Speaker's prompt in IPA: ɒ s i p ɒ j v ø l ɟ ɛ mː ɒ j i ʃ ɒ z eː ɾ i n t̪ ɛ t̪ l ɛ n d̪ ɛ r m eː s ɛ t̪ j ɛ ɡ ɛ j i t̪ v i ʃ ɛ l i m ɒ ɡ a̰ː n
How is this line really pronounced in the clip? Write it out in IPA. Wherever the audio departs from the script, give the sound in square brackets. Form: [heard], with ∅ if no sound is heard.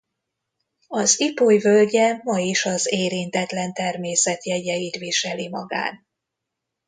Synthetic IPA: ɒ [z] i p [o] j v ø l ɟ ɛ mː ɒ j i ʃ ɒ z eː ɾ i n t̪ ɛ t̪ l ɛ n [t̪] ɛ r m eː s ɛ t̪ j ɛ [ɟ] ɛ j i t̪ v i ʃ ɛ l i m ɒ ɡ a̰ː n